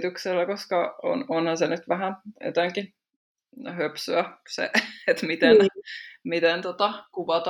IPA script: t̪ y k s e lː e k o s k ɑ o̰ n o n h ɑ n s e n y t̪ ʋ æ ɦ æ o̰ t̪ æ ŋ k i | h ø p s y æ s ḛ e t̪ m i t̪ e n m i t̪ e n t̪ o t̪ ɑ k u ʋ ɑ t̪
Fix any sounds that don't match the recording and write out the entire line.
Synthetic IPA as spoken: t̪ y k s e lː æ k o s k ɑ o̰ n o n h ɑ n s e n y t̪ ʋ æ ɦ æ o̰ t̪ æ ŋ k i | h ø p s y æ s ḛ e t̪ m i t̪ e n m i t̪ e n t̪ o t̪ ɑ k u ʋ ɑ t̪